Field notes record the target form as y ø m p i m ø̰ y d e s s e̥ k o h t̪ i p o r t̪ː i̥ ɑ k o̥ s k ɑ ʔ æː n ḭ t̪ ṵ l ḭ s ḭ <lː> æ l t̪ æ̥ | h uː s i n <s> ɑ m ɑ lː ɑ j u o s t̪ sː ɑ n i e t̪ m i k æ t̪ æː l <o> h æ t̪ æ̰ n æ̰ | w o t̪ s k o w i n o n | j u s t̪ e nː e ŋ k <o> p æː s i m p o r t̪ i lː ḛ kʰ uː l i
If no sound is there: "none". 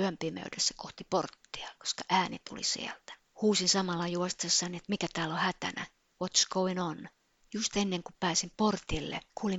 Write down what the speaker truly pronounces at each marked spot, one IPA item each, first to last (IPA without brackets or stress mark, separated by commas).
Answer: none, s, o, u